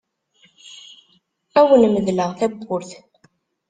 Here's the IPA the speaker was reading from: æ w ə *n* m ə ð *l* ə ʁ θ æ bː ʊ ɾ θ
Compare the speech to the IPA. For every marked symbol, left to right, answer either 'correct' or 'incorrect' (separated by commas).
correct, correct